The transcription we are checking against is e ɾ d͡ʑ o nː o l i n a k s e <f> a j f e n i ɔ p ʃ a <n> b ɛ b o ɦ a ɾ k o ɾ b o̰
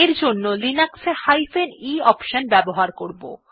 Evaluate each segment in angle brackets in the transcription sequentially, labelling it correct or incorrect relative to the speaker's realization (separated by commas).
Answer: incorrect, correct